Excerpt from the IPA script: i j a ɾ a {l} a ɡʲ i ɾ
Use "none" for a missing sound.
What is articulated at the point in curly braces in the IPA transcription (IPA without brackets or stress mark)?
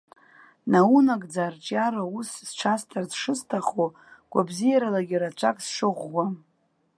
l